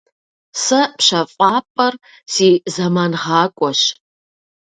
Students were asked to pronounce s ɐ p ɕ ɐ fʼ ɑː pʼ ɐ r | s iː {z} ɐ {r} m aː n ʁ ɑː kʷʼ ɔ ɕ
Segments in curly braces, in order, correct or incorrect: correct, incorrect: none

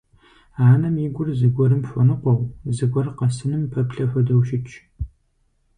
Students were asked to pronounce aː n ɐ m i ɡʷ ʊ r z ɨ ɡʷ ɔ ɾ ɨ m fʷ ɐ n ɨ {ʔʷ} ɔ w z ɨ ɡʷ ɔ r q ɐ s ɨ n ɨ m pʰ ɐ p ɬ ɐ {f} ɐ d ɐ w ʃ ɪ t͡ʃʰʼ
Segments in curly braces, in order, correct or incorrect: incorrect: qʷ, correct

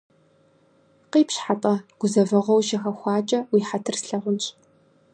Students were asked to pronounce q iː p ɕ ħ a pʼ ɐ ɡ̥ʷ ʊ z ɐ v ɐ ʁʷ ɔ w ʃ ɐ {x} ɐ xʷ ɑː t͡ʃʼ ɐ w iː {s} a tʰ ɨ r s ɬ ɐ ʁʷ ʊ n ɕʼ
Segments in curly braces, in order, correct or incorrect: correct, incorrect: ħ

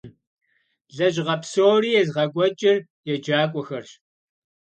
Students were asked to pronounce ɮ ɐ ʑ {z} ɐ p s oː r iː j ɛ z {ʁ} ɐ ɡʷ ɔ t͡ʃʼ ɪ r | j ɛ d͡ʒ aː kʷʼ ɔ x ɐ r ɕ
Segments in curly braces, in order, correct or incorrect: incorrect: ʁ, correct

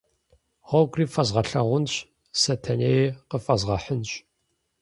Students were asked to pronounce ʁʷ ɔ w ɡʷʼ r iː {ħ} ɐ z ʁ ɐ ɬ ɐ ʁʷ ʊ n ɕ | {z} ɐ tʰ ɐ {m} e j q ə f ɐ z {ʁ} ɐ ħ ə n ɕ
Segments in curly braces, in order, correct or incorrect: incorrect: f, incorrect: s, incorrect: n, correct

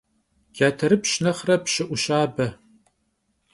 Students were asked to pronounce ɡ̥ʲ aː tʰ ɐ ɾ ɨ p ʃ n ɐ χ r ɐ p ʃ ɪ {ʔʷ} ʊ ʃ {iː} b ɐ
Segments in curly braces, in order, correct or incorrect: correct, incorrect: aː

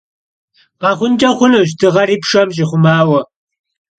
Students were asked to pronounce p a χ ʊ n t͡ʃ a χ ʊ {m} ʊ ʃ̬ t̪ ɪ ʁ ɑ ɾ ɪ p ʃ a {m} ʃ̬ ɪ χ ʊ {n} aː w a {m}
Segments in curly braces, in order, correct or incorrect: incorrect: n, correct, incorrect: m, incorrect: none

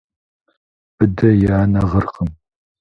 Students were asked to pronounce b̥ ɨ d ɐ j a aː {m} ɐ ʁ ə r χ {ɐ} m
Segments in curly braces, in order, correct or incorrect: incorrect: n, incorrect: ə

